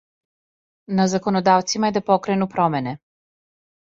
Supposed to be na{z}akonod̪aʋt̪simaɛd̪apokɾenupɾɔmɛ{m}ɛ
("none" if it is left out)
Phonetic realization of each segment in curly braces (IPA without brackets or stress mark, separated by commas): z, n